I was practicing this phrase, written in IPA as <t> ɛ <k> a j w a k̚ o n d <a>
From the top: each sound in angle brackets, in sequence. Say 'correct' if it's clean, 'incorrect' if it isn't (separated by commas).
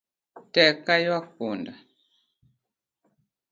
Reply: correct, correct, correct